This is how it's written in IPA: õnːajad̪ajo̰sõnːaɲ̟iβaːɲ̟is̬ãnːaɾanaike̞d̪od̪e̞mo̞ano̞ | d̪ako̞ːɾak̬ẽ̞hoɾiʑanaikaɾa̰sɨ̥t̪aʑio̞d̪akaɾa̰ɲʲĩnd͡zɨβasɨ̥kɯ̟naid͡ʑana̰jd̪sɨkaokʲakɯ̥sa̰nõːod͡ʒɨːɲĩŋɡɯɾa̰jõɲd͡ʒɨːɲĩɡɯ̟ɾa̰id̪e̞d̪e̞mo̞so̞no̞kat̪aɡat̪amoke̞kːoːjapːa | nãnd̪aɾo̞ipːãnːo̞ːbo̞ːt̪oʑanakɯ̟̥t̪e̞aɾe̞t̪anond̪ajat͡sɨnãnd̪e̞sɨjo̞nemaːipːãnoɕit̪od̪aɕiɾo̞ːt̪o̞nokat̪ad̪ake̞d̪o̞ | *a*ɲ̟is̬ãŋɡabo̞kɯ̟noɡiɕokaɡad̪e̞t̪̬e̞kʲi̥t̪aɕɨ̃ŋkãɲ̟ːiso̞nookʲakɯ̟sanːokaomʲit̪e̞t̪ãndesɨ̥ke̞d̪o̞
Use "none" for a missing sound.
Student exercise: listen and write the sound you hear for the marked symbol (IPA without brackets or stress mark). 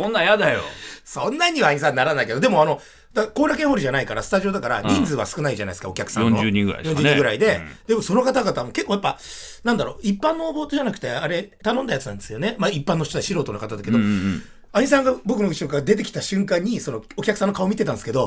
a